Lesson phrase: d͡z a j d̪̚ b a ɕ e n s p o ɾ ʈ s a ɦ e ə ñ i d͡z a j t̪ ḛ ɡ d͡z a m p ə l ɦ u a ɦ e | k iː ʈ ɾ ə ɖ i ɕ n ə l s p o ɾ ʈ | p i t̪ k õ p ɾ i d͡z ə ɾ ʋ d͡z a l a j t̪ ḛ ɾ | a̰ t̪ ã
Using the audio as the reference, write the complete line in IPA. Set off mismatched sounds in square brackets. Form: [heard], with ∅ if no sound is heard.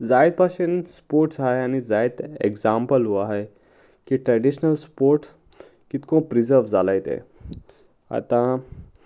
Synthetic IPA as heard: d͡z a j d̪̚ [p] a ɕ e n s p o ɾ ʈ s a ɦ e [a] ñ i d͡z a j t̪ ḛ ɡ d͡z a m p ə l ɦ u a ɦ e | k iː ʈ ɾ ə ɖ i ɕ n ə l s p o ɾ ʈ | [k] i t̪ k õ p ɾ i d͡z ə ɾ ʋ d͡z a l a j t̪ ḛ [∅] | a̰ t̪ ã